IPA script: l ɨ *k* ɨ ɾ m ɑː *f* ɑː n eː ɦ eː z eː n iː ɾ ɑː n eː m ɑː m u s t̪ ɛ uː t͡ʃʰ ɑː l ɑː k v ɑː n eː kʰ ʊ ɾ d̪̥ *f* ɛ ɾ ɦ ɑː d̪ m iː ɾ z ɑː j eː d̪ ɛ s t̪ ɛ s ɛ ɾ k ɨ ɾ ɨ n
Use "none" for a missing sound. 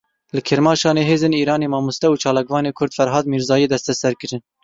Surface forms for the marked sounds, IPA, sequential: kʰ, ʃ, f

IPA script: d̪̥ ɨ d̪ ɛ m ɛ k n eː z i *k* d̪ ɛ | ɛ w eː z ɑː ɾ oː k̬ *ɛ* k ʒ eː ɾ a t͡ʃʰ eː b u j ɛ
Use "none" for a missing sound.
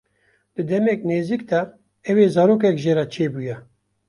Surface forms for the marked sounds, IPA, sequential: k, ɛ

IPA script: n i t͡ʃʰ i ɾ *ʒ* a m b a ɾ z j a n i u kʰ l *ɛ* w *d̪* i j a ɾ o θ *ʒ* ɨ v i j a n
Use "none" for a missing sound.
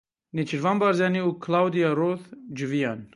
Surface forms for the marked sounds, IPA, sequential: v, a, d̪, d͡ʒ

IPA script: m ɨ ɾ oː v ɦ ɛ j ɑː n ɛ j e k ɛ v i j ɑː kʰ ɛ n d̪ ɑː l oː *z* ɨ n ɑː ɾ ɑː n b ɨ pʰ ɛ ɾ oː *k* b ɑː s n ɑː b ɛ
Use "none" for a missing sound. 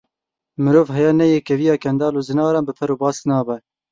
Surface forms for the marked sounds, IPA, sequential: z, none

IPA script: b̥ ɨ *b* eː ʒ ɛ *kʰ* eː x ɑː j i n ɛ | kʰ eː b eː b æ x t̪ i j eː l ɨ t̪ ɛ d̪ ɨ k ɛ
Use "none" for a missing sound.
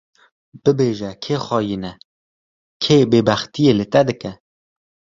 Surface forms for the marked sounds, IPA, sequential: b, kʰ

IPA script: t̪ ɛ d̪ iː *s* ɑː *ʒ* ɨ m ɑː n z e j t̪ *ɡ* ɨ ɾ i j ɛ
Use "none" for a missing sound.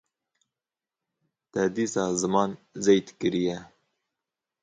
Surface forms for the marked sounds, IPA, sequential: s, z, k

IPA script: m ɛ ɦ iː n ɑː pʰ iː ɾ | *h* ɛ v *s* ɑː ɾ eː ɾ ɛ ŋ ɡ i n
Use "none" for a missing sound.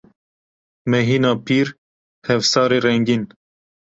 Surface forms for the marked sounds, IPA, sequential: h, s

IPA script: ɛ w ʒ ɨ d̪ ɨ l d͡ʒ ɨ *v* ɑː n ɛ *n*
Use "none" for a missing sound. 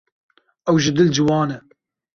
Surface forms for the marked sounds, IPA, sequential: w, none

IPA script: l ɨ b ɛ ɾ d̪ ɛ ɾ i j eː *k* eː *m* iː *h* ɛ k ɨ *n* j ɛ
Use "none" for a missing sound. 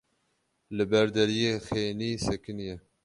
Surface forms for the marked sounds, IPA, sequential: x, n, s, n

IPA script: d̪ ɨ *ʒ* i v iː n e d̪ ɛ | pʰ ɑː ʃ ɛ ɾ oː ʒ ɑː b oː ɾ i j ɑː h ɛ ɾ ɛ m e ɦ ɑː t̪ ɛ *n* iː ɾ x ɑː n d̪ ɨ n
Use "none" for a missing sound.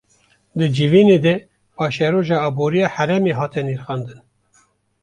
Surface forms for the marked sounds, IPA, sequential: d͡ʒ, n

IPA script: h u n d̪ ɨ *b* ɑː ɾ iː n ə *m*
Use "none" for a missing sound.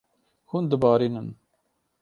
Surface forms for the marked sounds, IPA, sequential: b, n

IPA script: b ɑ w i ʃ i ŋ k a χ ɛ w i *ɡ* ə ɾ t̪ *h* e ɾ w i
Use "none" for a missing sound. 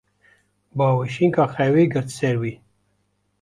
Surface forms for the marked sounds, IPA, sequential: ɡ, s

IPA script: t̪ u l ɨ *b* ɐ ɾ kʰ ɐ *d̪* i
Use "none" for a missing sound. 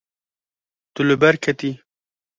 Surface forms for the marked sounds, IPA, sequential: b, t̪

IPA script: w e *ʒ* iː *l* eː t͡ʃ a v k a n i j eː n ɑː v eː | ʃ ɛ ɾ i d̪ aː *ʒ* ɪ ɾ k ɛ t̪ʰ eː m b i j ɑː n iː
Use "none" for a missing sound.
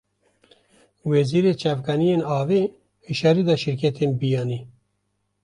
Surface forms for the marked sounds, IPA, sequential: z, ɾ, ʃ

